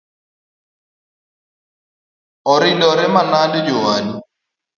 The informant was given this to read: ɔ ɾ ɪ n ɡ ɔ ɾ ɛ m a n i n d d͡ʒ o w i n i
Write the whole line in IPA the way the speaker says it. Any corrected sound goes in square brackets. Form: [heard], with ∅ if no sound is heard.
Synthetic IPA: ɔ ɾ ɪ n [d] ɔ ɾ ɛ m a n [a] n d d͡ʒ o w [a] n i